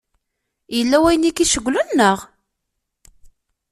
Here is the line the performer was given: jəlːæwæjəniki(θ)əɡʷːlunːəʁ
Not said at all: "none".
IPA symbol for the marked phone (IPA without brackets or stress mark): ʃ